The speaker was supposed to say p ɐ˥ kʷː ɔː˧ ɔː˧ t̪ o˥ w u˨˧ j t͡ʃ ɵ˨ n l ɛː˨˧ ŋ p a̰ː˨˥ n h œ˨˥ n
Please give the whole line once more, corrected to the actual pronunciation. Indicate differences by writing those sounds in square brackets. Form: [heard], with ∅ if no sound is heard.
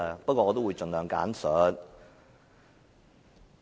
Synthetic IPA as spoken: p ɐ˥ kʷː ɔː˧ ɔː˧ t̪ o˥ w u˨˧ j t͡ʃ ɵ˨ n l [œː˨˧] ŋ [k] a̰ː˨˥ n [s] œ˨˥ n